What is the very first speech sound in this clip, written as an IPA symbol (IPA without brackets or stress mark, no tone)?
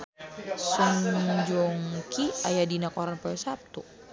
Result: s